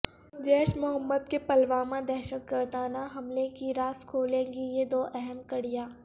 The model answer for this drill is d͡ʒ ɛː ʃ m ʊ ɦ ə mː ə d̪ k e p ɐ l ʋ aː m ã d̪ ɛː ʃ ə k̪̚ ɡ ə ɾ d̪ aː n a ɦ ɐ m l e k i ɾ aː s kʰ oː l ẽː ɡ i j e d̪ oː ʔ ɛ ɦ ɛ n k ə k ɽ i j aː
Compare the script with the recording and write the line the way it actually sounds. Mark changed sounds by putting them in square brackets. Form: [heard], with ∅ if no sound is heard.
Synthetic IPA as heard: d͡ʒ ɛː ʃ m ʊ ɦ ə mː ə d̪ k e p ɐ l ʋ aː m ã d̪ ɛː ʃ ə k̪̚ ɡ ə ɾ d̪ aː n a ɦ ɐ m l e k i ɾ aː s kʰ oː l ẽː ɡ i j e d̪ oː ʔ ɛ ɦ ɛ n k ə [∅] ɽ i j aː